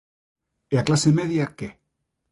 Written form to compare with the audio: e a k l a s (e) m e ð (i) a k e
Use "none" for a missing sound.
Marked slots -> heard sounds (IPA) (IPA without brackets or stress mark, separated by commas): e, j